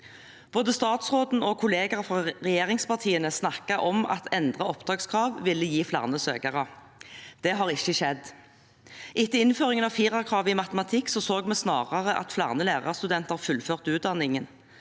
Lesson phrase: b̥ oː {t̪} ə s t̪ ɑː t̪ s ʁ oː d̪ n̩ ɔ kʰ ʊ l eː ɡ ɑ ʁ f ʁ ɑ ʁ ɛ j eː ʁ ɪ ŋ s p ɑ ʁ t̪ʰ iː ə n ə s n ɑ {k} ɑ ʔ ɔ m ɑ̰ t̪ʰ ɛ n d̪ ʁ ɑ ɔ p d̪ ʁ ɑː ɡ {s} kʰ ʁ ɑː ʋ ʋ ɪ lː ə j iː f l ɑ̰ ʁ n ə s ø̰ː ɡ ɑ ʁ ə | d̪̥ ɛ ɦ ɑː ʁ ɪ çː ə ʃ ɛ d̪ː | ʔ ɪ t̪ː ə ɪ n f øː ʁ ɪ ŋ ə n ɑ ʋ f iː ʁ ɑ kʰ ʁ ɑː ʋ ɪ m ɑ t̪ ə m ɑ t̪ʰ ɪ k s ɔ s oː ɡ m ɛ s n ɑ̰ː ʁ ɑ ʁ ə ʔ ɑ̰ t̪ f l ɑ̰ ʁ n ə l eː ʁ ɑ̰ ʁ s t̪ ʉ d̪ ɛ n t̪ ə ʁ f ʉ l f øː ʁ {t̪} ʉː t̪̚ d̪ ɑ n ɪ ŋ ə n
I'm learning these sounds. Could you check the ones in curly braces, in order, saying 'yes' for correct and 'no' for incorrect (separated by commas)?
no, yes, yes, yes